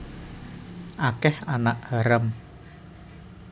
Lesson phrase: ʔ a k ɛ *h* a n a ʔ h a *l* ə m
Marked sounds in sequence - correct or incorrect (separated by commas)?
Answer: correct, incorrect